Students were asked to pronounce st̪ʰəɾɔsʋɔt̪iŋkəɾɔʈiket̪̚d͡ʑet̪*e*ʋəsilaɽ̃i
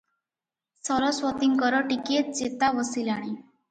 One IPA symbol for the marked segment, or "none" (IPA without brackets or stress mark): a